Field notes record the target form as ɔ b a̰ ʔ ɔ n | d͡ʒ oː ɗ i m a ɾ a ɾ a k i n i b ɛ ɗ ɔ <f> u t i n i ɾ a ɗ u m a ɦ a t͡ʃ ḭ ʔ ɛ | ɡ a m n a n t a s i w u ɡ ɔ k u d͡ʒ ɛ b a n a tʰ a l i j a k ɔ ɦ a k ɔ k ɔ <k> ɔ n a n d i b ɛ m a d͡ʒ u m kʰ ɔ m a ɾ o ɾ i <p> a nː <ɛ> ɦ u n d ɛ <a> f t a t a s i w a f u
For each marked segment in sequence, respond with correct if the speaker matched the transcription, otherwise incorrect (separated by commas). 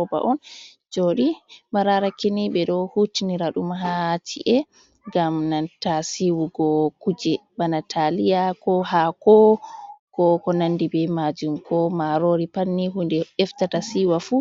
incorrect, correct, correct, incorrect, incorrect